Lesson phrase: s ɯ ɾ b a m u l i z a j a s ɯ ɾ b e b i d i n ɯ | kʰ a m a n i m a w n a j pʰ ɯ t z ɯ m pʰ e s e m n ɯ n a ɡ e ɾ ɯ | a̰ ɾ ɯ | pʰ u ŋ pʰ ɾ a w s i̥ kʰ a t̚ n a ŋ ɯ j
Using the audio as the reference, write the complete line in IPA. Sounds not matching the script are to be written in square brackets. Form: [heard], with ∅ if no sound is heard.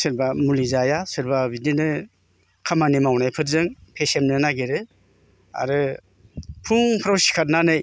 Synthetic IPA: s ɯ ɾ b a m u l i z a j a s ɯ ɾ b [a] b i d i n ɯ | kʰ a m a n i m a w n a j pʰ ɯ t z ɯ [ŋ] pʰ e s e m n ɯ n a ɡ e ɾ ɯ | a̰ ɾ ɯ | pʰ u ŋ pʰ ɾ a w s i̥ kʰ a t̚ n a [n] ɯ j